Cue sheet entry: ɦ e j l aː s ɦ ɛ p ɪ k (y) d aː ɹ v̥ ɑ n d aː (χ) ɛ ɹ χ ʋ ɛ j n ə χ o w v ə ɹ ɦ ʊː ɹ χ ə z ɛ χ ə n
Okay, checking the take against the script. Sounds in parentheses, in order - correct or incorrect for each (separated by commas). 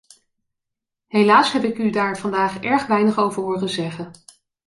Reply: correct, correct